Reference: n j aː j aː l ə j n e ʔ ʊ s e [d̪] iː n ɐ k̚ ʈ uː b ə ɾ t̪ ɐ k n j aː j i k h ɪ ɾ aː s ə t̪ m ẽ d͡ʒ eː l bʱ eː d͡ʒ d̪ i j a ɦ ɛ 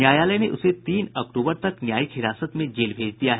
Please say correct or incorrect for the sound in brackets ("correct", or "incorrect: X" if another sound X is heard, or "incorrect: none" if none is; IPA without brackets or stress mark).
incorrect: t̪